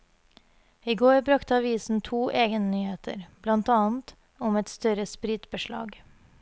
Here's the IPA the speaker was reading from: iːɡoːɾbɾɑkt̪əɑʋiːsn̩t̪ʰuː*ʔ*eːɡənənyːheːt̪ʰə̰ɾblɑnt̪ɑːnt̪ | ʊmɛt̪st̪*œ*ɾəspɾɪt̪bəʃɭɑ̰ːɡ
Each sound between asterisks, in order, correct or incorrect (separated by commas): correct, correct